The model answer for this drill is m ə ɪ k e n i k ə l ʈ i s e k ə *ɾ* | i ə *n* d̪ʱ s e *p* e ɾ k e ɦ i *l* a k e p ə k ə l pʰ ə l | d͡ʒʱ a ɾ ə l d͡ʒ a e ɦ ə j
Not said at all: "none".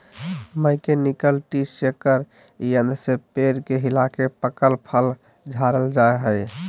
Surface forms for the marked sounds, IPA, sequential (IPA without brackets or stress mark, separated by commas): ɾ, n, p, l